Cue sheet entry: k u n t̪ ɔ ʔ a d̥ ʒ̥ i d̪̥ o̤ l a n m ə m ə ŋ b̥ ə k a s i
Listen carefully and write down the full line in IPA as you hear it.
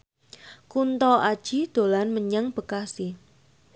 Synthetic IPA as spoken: k u n t̪ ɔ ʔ a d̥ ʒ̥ i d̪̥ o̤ l a n m ə ɲ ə ŋ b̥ ə k a s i